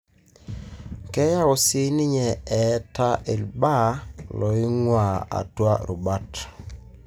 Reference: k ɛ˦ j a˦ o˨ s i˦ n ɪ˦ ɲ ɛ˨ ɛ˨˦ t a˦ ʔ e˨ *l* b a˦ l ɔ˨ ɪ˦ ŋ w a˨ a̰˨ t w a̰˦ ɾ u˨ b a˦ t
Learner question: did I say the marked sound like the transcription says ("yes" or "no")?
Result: yes